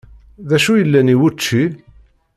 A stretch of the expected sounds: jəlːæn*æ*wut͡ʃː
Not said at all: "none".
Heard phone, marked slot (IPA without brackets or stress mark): i